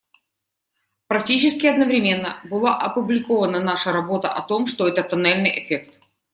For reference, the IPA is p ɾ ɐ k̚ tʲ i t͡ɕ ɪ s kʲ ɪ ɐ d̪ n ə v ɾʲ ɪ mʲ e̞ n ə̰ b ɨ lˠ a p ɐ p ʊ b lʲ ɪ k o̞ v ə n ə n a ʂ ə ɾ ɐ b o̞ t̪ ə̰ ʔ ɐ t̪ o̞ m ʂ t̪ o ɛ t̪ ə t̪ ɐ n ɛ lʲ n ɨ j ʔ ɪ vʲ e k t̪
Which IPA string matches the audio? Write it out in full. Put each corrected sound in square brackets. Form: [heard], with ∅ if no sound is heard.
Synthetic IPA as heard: p ɾ ɐ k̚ tʲ i t͡ɕ ɪ s kʲ ɪ ɐ d̪ n ə v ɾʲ ɪ mʲ e̞ [nː] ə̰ b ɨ lˠ a [ʔ] ɐ p ʊ b lʲ ɪ k o̞ v ə n ə n a ʂ ə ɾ ɐ b o̞ t̪ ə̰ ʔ ɐ t̪ o̞ m ʂ t̪ o ɛ t̪ ə t̪ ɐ n ɛ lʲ n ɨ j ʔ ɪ [fʲ] e k t̪